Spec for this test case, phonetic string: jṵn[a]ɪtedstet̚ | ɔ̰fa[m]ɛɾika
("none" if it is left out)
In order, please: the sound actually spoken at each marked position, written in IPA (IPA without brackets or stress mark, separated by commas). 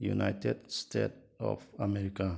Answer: a, m